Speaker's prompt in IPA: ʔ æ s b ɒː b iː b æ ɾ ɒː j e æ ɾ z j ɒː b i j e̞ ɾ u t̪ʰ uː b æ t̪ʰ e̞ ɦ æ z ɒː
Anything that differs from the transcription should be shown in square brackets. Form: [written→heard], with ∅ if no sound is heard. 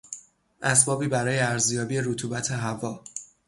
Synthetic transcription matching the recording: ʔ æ s b ɒː b iː b æ ɾ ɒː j e æ ɾ z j ɒː b i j e̞ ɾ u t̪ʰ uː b æ t̪ʰ e̞ ɦ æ [z→v] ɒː

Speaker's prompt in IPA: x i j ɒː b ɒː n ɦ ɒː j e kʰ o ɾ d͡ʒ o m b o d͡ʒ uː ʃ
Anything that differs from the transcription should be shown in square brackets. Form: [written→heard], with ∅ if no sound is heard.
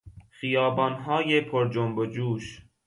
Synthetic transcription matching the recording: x i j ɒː b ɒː n ɦ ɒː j e [kʰ→pʰ] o ɾ d͡ʒ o m b o d͡ʒ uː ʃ

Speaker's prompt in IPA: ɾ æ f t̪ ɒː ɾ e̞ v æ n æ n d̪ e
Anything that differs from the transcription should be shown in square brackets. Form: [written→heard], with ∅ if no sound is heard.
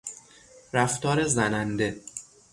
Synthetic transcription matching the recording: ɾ æ f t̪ ɒː ɾ e̞ [v→z] æ n æ n d̪ e

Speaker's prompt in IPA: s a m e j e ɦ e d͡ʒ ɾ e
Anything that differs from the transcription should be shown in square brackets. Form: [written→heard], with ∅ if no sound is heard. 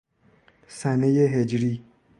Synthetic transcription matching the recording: s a [m→n] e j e ɦ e d͡ʒ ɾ [e→i]

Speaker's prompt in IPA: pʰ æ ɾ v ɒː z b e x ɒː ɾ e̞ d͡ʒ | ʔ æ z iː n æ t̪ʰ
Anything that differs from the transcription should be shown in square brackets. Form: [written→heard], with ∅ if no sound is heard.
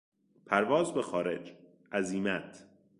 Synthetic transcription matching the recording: pʰ æ ɾ v ɒː z b e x ɒː ɾ e̞ d͡ʒ | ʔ æ z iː [n→m] æ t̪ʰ

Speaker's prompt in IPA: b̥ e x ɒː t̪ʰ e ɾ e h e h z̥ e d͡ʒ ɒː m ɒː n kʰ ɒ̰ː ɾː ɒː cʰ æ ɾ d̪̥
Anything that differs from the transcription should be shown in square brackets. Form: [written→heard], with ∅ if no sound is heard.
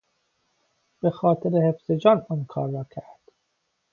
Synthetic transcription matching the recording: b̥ e x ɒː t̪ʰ e ɾ e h e [h→f] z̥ e d͡ʒ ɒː [m→n] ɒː n kʰ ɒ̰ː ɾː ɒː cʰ æ ɾ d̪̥

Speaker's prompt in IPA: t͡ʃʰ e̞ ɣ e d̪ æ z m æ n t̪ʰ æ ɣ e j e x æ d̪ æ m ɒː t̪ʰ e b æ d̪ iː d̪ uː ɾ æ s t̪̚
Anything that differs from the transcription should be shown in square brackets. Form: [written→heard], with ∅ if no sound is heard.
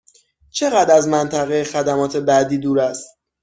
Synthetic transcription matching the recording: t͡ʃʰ e̞ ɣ [e→æ] d̪ æ z m æ n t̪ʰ æ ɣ e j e x æ d̪ æ m ɒː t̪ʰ e b æ d̪ iː d̪ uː ɾ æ s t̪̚

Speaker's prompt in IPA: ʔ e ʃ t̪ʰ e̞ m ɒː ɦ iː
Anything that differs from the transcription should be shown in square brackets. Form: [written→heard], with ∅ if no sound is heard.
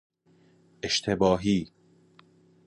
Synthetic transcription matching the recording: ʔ e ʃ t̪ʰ e̞ [m→b] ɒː ɦ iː

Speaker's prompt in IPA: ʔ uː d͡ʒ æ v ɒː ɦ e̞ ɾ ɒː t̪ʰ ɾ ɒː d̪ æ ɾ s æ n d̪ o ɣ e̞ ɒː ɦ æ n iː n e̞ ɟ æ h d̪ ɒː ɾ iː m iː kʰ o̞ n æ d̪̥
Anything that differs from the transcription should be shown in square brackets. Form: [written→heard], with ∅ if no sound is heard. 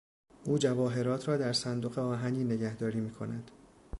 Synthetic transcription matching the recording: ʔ uː d͡ʒ æ v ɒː ɦ e̞ ɾ ɒː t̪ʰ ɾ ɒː d̪ æ ɾ s æ n d̪ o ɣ e̞ ɒː ɦ æ n iː n e̞ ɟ æ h d̪ ɒː ɾ iː m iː kʰ o̞ n æ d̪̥

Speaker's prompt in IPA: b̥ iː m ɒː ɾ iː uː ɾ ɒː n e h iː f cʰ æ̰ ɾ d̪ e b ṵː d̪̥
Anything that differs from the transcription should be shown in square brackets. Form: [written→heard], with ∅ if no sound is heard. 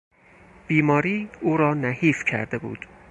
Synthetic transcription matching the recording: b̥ iː m ɒː ɾ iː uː ɾ ɒː n [e→æ] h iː f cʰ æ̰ ɾ d̪ e b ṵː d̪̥

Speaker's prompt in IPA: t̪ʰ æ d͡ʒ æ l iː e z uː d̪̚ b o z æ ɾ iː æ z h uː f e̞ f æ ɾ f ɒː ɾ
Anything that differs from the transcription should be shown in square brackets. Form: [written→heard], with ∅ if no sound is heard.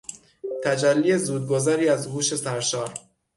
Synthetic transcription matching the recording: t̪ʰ æ d͡ʒ æ [l→lː] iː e z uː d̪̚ [b→ɡ] o z æ ɾ iː æ z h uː [f→ʃ] e̞ [f→s] æ ɾ [f→ʃ] ɒː ɾ

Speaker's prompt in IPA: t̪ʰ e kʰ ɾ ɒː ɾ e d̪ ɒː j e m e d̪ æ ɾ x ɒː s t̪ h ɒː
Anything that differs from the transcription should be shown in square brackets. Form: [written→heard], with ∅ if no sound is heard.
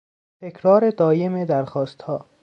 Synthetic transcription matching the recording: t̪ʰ e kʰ ɾ ɒː ɾ e d̪ ɒː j e m e d̪ æ ɾ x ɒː s t̪ h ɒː

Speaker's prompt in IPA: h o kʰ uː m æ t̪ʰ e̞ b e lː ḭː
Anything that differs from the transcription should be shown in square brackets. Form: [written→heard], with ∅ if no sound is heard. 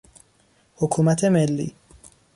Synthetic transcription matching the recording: h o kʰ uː m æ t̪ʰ e̞ [b→m] e lː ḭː

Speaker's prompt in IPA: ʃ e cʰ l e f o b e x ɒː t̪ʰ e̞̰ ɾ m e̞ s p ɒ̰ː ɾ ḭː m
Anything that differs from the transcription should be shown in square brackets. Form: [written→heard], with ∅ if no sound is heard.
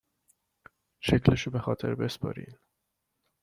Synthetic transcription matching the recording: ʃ e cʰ l e [f→ʃ] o b e x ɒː t̪ʰ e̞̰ ɾ [m→b] e̞ s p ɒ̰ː ɾ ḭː [m→n]

